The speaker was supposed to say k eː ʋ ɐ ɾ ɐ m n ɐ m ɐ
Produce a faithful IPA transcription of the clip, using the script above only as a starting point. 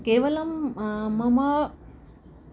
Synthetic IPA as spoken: k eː ʋ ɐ l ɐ m m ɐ m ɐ